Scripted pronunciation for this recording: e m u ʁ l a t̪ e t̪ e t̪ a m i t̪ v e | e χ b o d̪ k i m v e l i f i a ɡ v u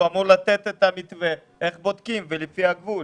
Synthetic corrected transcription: a m u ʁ l a t̪ e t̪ e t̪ a m i t̪ v e | e χ b o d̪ k i m v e l i f i a ɡ v u